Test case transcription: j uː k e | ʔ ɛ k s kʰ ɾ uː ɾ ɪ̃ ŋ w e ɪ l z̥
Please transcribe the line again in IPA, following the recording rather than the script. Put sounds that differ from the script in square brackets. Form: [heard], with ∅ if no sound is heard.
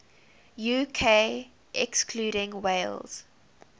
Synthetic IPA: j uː [kʰ] e | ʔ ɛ k s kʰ [l] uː ɾ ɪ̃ ŋ w e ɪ l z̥